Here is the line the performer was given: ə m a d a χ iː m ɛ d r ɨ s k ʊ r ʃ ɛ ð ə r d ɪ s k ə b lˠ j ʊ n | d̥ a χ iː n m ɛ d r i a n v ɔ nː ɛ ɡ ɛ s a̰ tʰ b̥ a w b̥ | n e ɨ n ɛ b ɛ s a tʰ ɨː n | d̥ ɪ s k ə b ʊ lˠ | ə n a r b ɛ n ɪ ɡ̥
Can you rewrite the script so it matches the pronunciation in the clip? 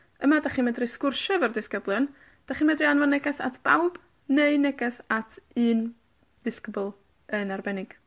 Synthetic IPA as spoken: ə m a d a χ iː m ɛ d r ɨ s k ʊ r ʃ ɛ v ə r d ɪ s k ə b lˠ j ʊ n | d̥ a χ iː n m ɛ d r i a n v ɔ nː ɛ ɡ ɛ s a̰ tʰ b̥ a w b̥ | n e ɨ n ɛ ɡ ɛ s a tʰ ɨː n | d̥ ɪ s k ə b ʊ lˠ | ə n a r b ɛ n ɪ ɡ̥